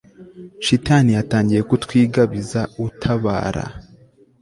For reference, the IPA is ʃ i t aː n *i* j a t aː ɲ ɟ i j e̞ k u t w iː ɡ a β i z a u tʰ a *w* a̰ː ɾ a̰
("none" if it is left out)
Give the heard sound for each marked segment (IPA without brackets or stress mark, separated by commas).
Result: i, β